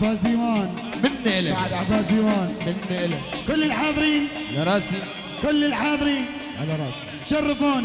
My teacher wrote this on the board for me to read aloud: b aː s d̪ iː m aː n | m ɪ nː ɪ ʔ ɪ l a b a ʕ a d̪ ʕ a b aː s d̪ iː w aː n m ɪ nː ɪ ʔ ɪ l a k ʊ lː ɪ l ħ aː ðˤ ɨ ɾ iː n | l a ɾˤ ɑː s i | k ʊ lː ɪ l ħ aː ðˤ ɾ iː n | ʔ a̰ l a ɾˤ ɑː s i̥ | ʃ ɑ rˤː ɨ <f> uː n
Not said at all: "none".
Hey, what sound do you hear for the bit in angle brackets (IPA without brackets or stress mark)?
f